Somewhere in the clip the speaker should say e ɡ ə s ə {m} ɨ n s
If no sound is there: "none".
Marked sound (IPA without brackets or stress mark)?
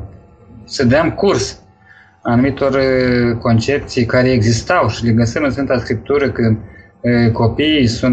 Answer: m